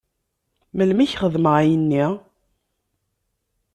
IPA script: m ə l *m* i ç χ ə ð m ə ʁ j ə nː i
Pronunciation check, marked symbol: correct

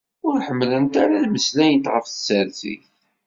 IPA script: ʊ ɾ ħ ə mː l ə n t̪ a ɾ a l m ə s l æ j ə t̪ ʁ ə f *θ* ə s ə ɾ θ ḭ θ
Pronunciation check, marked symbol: correct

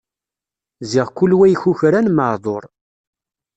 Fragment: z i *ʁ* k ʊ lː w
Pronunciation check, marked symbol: correct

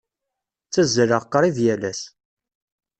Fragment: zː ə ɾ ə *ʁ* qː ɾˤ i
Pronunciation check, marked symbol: correct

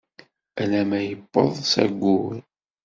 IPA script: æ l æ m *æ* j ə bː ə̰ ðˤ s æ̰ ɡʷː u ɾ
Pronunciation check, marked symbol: correct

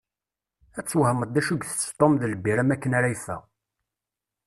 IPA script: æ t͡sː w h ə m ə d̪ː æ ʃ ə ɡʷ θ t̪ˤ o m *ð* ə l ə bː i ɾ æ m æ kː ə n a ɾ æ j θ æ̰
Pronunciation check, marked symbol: correct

